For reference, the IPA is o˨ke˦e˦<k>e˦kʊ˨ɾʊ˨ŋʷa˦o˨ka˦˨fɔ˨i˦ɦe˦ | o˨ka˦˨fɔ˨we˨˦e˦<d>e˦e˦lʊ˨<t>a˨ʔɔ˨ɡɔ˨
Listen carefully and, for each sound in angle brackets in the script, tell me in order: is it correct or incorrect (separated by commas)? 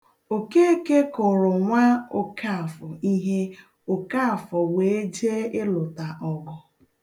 correct, incorrect, correct